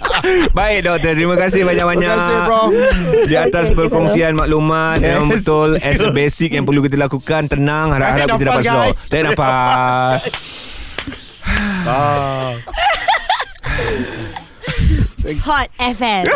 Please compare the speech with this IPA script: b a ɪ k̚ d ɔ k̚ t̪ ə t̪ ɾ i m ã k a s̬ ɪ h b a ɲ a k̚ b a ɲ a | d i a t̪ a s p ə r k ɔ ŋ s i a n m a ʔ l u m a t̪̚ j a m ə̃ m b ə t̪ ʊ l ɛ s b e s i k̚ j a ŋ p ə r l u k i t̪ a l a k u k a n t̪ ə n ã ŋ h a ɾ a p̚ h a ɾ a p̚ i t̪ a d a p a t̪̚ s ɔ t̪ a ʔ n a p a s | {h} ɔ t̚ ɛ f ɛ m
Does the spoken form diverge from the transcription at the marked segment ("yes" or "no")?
no